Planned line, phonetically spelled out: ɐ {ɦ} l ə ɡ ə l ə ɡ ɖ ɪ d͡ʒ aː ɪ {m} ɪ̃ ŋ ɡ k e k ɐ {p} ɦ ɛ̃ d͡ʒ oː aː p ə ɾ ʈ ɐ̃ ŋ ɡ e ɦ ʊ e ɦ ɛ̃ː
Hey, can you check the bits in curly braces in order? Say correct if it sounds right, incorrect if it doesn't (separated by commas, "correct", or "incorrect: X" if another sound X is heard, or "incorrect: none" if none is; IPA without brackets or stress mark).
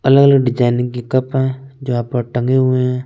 incorrect: none, incorrect: n, correct